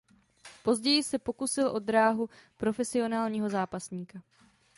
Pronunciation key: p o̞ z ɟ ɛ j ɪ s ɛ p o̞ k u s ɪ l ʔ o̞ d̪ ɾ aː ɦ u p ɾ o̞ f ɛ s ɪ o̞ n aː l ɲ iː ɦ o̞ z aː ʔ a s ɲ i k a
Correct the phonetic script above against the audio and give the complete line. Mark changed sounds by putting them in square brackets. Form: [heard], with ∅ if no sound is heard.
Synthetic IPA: p o̞ z ɟ ɛ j ɪ s ɛ p o̞ k u s ɪ l ʔ o̞ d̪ ɾ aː ɦ u p ɾ o̞ f ɛ s ɪ o̞ n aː l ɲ iː ɦ o̞ z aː [p] a s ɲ [iː] k a